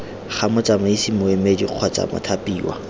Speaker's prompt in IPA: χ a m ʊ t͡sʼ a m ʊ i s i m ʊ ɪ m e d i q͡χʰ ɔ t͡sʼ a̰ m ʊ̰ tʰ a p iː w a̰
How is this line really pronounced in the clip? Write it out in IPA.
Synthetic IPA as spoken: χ a m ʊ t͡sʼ a m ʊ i s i m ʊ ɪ m e d i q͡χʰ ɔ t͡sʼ a̰ m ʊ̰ tʰ a p iː w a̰